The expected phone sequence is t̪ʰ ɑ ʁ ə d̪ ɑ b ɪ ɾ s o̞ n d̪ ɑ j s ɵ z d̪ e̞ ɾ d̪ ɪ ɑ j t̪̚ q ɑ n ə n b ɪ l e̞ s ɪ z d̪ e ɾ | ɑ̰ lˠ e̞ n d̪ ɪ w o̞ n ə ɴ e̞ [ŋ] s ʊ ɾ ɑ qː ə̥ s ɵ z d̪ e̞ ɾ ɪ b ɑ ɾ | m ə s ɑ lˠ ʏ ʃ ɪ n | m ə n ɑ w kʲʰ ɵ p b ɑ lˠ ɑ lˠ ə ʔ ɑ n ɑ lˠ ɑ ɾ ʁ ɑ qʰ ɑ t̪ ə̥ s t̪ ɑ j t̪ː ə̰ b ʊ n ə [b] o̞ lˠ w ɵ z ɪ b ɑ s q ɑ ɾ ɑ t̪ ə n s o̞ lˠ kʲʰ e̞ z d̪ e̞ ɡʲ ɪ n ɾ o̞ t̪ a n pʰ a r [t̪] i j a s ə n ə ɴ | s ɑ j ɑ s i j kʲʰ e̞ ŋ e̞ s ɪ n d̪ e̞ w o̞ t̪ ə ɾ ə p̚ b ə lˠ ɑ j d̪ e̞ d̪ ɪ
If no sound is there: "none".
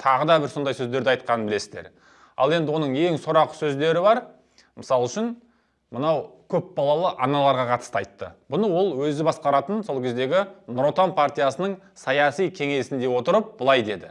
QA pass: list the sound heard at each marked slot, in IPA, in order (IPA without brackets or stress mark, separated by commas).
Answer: ŋ, w, t̪